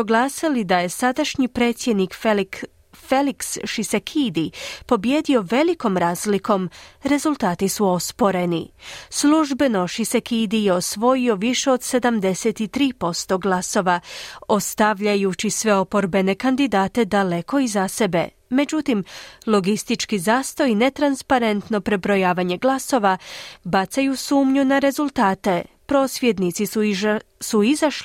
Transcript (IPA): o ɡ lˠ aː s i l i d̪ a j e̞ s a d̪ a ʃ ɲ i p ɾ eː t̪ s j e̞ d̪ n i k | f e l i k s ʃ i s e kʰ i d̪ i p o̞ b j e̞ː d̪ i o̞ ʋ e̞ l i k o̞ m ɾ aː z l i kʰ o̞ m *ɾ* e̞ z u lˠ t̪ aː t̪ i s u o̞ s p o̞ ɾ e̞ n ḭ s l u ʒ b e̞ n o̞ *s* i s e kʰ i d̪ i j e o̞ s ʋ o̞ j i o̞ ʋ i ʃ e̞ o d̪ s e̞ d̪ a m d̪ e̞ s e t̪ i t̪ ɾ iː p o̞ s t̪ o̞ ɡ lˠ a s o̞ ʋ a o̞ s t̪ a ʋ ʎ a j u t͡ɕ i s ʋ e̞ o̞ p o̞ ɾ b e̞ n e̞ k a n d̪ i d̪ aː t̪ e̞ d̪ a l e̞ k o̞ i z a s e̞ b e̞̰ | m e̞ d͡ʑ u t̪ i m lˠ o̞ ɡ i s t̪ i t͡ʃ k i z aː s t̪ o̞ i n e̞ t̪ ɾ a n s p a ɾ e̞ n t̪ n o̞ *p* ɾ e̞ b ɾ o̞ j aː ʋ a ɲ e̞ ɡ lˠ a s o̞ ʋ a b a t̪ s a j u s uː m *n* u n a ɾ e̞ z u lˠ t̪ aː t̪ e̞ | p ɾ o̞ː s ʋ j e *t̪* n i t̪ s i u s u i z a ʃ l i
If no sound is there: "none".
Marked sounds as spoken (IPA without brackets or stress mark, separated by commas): ɾ, ʃ, p, ɲ, d̪